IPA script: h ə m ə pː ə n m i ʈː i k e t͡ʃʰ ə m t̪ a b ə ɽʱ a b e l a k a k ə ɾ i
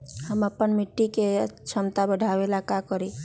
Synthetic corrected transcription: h ə m ə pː ə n m i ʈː i k e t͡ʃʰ ə m t̪ a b ə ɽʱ a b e l a k a k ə ɾ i

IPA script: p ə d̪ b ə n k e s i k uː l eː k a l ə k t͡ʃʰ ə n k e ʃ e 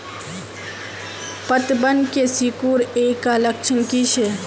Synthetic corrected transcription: p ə t̪ b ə n k e s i k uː ɾ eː k a l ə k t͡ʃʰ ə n k i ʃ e

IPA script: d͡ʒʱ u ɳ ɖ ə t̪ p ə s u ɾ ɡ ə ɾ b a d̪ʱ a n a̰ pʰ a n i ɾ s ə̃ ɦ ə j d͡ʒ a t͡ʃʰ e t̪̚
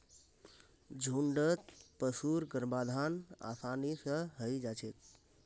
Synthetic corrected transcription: d͡ʒʱ u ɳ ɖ ə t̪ p ə s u ɾ ɡ ə ɾ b a d̪ʱ a n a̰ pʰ a n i s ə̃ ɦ ə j d͡ʒ a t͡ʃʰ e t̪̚

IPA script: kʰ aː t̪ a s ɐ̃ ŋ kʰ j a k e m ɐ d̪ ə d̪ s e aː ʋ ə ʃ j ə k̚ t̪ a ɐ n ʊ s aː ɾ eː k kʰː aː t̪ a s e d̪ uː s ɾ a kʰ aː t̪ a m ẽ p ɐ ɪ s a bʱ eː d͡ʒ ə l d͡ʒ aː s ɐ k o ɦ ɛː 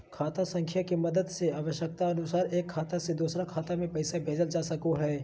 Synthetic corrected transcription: kʰ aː t̪ a s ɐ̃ ŋ kʰ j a k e m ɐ d̪ ə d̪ s e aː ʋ ə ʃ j ə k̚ t̪ a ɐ n ʊ s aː ɾ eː k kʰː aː t̪ a s e d̪ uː s ɾ a kʰ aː t̪ a m ẽ p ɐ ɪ s a bʱ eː d͡ʒ ə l d͡ʒ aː s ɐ k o ɦ ɛː

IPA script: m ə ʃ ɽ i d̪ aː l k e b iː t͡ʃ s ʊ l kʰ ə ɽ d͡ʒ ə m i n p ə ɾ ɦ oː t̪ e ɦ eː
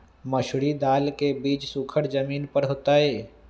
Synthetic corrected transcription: m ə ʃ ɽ i d̪ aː l k e b iː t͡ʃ s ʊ kʰ ə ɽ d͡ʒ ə m iː n p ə ɾ ɦ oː t̪ a ɦ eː

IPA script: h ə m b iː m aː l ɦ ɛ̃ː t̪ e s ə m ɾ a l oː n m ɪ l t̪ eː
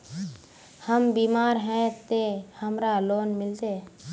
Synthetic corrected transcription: h ə m b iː m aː ɾ ɦ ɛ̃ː t̪ e h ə m ɾ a l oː n m ɪ l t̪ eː

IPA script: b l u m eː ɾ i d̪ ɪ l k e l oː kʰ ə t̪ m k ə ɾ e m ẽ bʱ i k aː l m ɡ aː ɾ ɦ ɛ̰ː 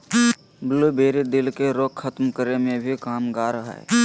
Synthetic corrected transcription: b l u b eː ɾ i d̪ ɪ l k e ɾ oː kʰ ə t̪ m k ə ɾ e m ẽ bʱ i k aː m ɡ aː ɾ ɦ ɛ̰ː

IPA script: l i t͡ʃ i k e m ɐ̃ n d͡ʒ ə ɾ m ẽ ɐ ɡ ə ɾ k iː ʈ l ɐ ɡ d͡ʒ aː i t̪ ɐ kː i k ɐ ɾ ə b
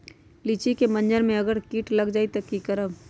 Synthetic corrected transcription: l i t͡ʃ i k e m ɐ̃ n d͡ʒ ə ɾ m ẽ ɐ ɡ ə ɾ k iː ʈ l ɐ ɡ d͡ʒ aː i t̪ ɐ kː i k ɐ ɾ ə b

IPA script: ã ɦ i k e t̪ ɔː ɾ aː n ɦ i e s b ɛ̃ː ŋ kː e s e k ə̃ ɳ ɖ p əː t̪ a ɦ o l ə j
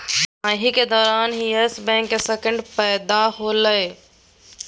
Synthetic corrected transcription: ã ɦ i k e d̪ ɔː ɾ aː n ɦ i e s b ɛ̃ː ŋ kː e s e k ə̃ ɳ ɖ p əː d̪ a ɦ o l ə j

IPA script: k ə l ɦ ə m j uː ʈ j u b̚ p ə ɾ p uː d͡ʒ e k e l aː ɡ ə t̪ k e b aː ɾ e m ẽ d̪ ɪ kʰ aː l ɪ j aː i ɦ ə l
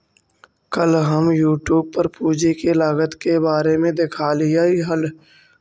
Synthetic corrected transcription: k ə l ɦ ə m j uː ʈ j uː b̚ p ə ɾ p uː d͡ʒ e k e l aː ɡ ə t̪ k e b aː ɾ e m ẽ d̪ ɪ kʰ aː l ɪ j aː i ɦ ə l

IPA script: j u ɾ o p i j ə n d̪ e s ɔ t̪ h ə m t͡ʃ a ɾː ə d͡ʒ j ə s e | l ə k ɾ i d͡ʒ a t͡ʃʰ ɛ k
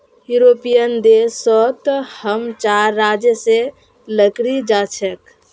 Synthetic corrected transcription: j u ɾ o p i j ə n d̪ e s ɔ t̪ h ə m t͡ʃ a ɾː a d͡ʒ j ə s e | l ə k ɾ i d͡ʒ a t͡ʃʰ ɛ k

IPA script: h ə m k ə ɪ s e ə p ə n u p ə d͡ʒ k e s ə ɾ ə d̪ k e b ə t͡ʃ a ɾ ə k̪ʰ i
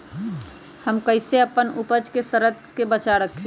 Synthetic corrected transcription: h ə m k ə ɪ s e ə p ə n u p ə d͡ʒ k e s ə ɾ ə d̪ k e b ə t͡ʃ a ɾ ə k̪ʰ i

